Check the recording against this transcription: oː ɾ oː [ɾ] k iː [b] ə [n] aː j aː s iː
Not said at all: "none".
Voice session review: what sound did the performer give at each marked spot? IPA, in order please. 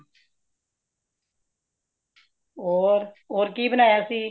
ɾ, b, n

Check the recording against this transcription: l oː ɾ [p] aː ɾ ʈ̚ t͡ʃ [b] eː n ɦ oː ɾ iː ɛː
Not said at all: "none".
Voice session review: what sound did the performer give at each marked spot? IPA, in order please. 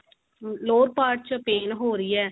p, p

